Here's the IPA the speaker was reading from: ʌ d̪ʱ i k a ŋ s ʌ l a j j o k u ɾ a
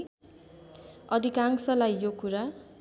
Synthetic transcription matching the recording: ʌ d̪ʱ i k a ŋ s ʌ l a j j o k u ɾ a